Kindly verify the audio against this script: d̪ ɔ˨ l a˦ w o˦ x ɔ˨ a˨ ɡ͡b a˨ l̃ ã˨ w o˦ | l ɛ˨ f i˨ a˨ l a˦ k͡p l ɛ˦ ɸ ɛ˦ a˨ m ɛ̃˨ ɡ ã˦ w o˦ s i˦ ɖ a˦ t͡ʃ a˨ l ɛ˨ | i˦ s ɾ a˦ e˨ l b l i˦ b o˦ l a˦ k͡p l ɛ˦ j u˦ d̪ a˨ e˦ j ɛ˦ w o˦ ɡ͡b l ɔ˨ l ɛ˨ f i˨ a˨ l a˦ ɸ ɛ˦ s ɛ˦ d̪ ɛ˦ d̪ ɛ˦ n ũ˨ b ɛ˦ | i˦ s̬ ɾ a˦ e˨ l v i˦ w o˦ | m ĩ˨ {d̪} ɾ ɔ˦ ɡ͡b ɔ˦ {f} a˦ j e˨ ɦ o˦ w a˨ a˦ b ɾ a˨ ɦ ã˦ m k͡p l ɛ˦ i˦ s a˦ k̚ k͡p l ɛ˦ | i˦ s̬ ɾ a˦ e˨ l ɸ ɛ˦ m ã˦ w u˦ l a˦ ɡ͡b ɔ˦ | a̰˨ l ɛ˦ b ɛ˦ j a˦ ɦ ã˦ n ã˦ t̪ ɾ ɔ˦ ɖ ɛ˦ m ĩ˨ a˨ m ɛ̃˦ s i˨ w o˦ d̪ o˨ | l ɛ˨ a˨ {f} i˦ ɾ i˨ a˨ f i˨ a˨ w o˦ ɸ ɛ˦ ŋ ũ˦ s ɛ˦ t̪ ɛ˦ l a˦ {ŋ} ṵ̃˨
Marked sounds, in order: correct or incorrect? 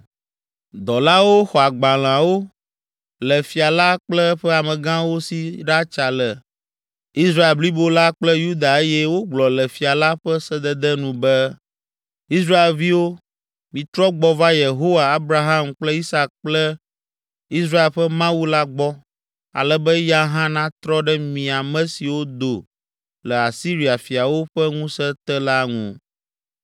incorrect: t̪, incorrect: v, incorrect: s, correct

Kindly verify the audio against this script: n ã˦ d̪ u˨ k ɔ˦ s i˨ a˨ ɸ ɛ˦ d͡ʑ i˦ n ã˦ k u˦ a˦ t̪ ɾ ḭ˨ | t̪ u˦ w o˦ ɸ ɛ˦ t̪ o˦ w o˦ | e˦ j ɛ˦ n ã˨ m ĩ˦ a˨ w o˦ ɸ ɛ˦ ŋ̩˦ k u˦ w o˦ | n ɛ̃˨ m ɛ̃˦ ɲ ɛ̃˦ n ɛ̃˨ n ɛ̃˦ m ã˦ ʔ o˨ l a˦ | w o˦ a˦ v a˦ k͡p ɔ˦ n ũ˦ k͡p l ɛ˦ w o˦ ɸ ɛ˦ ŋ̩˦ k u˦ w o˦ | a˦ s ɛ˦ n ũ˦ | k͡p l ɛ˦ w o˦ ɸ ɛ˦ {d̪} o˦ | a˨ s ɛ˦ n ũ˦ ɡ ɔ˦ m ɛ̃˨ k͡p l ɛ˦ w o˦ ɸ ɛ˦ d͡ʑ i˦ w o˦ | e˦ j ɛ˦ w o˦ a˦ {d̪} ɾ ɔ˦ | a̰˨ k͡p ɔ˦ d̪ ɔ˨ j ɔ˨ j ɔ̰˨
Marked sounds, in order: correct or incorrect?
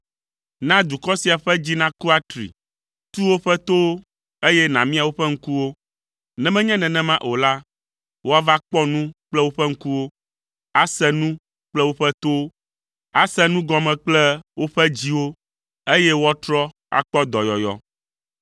incorrect: t̪, incorrect: t̪

